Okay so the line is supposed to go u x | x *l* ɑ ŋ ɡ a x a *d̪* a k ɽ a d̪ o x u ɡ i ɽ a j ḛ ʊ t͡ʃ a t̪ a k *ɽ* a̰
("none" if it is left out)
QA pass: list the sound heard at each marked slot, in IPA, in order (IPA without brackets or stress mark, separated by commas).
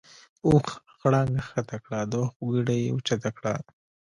ɽ, t̪, ɽ